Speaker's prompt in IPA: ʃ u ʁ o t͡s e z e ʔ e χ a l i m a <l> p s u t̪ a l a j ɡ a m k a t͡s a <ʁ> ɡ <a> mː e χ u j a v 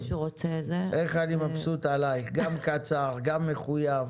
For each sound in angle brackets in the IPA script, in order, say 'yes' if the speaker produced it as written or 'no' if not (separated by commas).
no, yes, yes